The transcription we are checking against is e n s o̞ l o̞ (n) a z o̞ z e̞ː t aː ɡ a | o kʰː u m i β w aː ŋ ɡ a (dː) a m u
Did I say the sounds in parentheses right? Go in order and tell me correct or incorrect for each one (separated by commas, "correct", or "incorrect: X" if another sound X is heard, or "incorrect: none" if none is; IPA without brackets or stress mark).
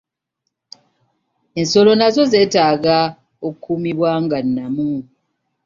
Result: correct, incorrect: nː